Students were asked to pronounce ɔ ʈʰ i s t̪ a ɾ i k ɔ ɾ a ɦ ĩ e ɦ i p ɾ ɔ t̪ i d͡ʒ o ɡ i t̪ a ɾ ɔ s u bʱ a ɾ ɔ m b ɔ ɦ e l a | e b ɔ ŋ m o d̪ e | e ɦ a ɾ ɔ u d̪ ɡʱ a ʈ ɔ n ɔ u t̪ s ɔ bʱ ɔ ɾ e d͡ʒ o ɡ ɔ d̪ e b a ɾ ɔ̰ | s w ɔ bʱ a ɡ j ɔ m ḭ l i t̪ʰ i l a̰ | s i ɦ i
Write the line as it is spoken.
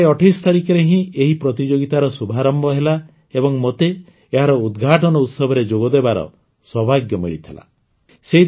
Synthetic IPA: ɔ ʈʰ i s t̪ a ɾ i k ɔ ɾ e ɦ ĩ e ɦ i p ɾ ɔ t̪ i d͡ʒ o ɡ i t̪ a ɾ ɔ s u bʱ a ɾ ɔ m b ɔ ɦ e l a | e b ɔ ŋ m o t̪ e | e ɦ a ɾ ɔ u d̪ ɡʱ a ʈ ɔ n ɔ u t̪ s ɔ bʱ ɔ ɾ e d͡ʒ o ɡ ɔ d̪ e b a ɾ ɔ̰ | s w ɔ bʱ a ɡ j ɔ m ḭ ɭ i t̪ʰ i l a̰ | s e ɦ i